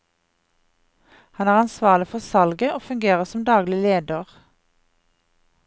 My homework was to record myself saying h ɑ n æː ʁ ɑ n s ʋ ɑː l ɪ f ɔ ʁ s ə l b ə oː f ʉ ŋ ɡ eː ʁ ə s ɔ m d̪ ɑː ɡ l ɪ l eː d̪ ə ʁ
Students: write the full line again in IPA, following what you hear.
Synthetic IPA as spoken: h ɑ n æː ʁ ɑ n s ʋ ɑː l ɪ f ɔ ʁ s ɑ l ɡ ə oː f ʉ ŋ ɡ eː ʁ ə s ɔ m d̪ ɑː ɡ l ɪ l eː d̪ ə ʁ